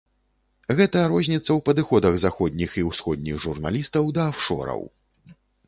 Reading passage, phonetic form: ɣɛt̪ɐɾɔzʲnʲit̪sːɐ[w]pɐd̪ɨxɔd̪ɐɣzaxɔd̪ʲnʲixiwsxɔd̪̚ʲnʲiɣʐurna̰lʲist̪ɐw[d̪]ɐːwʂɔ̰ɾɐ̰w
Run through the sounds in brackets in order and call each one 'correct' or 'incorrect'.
correct, correct

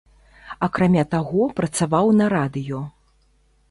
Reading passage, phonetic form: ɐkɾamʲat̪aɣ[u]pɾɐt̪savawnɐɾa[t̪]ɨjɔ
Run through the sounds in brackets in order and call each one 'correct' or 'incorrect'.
incorrect: ɔ, incorrect: d̪

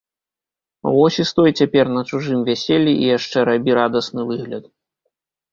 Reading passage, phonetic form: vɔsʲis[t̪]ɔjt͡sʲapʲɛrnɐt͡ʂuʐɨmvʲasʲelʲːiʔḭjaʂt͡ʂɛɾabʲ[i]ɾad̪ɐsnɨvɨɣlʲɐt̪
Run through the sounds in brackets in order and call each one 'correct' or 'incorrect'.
correct, correct

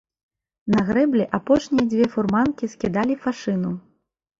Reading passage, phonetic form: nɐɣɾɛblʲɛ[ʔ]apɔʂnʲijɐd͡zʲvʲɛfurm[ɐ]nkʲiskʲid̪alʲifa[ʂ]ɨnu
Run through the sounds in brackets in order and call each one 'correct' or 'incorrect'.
correct, incorrect: a, correct

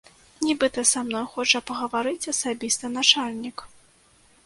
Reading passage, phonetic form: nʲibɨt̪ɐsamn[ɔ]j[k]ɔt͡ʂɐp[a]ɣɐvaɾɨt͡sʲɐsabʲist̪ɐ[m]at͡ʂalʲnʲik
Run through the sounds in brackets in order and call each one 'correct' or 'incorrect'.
correct, incorrect: x, incorrect: ɐ, incorrect: n

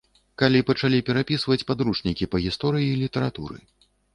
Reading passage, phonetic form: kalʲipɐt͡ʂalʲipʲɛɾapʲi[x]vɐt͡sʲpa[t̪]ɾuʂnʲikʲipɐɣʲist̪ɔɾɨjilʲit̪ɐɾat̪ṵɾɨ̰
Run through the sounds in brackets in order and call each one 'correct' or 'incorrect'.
incorrect: s, incorrect: d̪

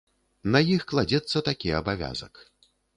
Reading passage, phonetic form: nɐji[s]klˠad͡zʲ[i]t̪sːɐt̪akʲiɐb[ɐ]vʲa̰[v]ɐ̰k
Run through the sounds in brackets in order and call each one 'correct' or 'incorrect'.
incorrect: x, incorrect: ɛ, incorrect: a, incorrect: z

